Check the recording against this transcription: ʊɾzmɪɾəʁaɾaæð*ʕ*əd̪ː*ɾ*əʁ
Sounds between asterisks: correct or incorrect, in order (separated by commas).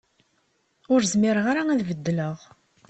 incorrect, incorrect